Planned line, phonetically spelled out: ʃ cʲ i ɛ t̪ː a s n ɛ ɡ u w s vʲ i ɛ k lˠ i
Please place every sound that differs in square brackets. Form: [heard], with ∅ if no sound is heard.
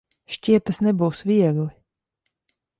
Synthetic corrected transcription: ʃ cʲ i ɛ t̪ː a s n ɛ [b] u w s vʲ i ɛ [ɡ] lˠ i